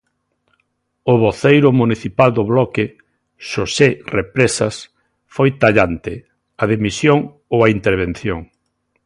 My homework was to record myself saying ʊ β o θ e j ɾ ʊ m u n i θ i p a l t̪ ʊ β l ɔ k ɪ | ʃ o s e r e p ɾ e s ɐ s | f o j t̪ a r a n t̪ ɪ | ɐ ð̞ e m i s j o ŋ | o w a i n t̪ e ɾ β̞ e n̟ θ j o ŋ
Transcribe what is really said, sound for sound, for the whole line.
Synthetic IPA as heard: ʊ β o θ e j ɾ ʊ m u n i θ i p a l d̪ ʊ β l ɔ k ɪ | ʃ o s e r e p ɾ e s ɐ s | f o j t̪ a ʎ a n t̪ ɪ | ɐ ð̞ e m i s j o ŋ | o w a i n t̪ e ɾ β̞ e n̟ θ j o ŋ